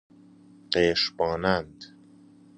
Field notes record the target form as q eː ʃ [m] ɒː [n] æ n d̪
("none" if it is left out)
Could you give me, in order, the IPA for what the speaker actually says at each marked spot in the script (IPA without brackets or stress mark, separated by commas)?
b, n